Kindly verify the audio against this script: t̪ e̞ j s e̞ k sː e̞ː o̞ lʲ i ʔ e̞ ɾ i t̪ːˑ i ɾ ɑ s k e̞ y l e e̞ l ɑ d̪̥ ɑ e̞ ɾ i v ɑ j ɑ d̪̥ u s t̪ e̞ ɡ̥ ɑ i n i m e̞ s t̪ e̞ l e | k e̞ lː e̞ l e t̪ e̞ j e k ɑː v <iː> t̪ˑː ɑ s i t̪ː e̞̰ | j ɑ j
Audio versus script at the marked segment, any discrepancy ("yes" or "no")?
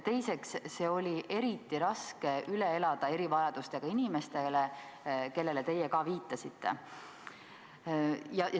no